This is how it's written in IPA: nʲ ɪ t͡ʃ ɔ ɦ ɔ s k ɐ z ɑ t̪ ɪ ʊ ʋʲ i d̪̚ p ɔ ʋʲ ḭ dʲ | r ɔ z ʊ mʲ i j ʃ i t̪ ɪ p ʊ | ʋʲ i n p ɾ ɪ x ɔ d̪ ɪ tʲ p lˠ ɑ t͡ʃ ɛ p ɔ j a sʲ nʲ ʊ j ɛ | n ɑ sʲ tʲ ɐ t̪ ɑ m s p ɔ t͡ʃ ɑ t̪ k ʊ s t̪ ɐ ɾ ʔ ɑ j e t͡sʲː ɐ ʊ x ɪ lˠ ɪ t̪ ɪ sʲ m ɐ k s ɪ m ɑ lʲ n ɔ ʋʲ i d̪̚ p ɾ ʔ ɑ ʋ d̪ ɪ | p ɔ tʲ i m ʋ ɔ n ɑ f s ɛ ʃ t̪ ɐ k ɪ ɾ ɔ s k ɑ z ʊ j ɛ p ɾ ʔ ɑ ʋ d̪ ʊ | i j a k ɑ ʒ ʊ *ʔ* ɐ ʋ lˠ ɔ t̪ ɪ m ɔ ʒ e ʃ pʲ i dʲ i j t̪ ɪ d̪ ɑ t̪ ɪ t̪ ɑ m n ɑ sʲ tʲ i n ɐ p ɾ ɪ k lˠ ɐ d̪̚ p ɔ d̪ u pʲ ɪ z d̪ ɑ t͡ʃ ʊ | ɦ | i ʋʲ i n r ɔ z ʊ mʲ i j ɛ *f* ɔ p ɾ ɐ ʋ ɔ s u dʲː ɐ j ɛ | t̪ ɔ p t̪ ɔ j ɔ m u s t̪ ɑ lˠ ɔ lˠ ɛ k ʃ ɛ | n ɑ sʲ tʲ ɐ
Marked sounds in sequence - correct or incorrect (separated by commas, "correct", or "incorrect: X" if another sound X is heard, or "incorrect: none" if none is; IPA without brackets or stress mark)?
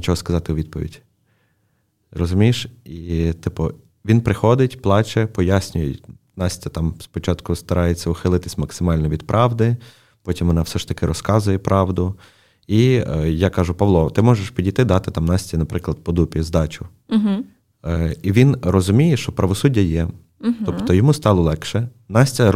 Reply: incorrect: p, incorrect: ʃ